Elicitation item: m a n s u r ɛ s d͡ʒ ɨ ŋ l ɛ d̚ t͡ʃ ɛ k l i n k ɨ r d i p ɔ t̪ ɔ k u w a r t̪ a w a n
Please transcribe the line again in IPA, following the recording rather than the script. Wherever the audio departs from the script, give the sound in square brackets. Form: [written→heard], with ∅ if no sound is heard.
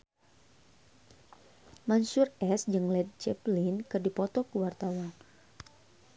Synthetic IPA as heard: m a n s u r ɛ s d͡ʒ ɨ ŋ l ɛ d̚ t͡ʃ ɛ [k→p] l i n k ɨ r d i p ɔ t̪ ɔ k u w a r t̪ a w a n

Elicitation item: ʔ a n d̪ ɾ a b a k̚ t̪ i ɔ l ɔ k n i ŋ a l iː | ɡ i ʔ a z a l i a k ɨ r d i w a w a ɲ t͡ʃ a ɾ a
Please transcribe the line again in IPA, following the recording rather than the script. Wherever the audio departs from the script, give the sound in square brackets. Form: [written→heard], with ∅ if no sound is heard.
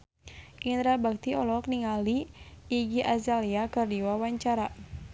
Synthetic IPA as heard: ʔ [a→i] n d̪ ɾ a b a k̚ t̪ i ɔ l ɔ k n i ŋ a l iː | ɡ i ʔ a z a l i a k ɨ r d i w a w a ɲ t͡ʃ a ɾ a

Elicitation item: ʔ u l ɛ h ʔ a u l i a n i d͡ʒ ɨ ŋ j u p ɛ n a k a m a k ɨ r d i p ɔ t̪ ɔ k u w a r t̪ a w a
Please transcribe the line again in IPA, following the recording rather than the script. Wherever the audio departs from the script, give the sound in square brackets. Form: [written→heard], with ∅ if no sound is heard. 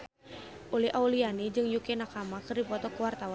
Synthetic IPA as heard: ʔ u l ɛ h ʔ a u l i a n i d͡ʒ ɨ ŋ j u [p→k] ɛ n a k a m a k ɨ r d i p ɔ t̪ ɔ k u w a r t̪ a w a

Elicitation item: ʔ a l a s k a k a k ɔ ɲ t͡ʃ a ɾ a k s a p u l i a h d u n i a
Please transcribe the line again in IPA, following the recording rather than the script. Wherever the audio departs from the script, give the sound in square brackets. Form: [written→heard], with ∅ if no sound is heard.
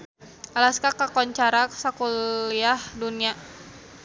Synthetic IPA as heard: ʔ a l a s k a k a k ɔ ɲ t͡ʃ a ɾ a k s a [p→k] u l i a h d u n i a

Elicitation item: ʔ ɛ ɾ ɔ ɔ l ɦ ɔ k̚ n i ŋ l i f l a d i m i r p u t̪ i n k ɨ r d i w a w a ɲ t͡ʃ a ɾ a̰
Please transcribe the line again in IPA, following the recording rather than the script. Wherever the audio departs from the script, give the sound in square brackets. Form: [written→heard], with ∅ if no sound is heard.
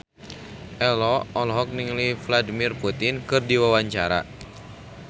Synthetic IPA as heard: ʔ ɛ [ɾ→l] ɔ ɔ l ɦ ɔ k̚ n i ŋ l i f l a d i m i r p u t̪ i n k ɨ r d i w a w a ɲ t͡ʃ a ɾ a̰

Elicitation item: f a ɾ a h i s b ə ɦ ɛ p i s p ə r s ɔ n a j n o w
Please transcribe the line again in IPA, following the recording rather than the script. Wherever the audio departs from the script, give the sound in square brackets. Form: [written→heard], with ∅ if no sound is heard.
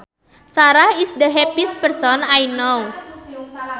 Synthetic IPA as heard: [f→s] a ɾ a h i s [b→d] ə ɦ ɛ p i s p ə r s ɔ n a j n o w

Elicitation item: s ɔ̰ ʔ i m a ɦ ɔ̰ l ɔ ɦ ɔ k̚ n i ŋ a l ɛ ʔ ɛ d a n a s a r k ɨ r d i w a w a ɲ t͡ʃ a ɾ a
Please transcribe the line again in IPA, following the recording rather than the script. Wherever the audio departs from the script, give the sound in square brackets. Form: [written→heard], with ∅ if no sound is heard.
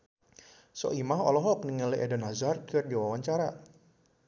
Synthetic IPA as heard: s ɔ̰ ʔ i m a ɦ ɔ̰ l ɔ ɦ ɔ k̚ n i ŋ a l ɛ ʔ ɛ d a n a [s→z] a r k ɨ r d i w a w a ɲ t͡ʃ a ɾ a

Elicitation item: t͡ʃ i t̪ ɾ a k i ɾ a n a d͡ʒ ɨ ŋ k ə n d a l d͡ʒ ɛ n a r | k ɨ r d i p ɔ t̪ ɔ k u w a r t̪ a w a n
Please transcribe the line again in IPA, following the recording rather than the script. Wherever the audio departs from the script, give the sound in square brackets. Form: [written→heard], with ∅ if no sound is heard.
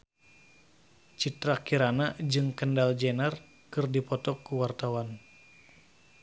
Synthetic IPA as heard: t͡ʃ i t̪ ɾ a k i ɾ a n a d͡ʒ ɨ ŋ k ə n d a l d͡ʒ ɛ n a r | k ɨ r d i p ɔ t̪ ɔ k u w a r t̪ a w a n

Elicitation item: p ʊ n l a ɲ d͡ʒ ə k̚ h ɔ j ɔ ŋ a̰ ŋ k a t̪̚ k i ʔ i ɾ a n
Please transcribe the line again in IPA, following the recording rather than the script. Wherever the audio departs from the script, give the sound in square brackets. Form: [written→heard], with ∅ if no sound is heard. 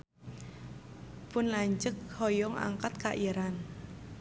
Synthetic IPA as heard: p ʊ n l a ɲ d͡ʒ ə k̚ h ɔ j ɔ ŋ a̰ ŋ k a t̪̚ k [i→a] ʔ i ɾ a n

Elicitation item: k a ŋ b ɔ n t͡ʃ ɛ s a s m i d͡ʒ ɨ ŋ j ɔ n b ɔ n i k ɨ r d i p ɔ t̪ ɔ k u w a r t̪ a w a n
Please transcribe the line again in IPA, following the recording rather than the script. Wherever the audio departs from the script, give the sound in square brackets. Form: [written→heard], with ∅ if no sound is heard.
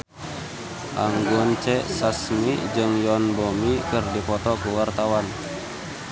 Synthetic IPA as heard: [k→ʔ] a ŋ [b→ɡ] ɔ n t͡ʃ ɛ s a s m i d͡ʒ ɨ ŋ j ɔ n b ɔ [n→m] i k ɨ r d i p ɔ t̪ ɔ k u w a r t̪ a w a n

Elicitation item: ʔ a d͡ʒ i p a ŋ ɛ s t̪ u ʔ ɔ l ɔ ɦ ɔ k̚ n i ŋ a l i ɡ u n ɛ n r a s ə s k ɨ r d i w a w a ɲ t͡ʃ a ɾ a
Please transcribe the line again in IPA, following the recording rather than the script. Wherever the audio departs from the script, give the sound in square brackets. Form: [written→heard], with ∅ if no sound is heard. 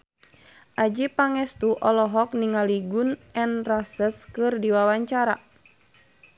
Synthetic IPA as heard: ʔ a d͡ʒ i p a ŋ ɛ s t̪ u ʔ ɔ l ɔ ɦ ɔ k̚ n i ŋ a l i ɡ u n ɛ n r a s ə s k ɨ r d i w a w a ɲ t͡ʃ a ɾ a

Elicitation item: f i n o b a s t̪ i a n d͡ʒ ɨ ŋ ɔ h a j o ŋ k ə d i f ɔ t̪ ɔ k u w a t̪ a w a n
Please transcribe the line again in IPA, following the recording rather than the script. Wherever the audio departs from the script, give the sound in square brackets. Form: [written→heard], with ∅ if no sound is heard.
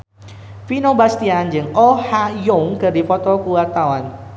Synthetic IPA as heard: f i n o b a s t̪ i a n d͡ʒ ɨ ŋ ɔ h a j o ŋ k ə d i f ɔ t̪ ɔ k u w a t̪ a w a n

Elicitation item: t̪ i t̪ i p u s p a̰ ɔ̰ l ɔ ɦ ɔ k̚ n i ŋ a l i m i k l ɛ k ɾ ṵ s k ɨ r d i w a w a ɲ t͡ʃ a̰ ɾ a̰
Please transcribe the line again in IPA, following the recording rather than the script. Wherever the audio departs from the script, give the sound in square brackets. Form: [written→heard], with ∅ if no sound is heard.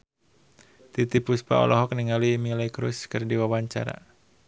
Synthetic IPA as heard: t̪ i t̪ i p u s p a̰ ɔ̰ l ɔ ɦ ɔ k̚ n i ŋ a l i m i [k→∅] l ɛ k ɾ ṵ s k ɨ r d i w a w a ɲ t͡ʃ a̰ ɾ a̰

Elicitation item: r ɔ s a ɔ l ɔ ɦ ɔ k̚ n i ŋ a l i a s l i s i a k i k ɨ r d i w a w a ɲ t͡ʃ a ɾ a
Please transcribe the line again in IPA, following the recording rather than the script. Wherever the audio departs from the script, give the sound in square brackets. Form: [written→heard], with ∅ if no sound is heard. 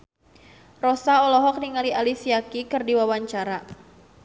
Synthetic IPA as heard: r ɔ s a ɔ l ɔ ɦ ɔ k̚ n i ŋ a l i a [s→∅] l i s i a k i k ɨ r d i w a w a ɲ t͡ʃ a ɾ a

